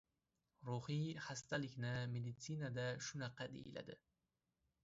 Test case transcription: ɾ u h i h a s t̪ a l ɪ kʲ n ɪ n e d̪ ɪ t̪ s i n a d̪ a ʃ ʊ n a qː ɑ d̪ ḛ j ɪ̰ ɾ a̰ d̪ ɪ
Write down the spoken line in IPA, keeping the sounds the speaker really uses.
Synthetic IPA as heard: ɾ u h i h a s t̪ a l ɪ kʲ n ɪ m e d̪ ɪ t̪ s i n a d̪ a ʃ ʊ n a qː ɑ d̪ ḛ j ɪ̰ l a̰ d̪ ɪ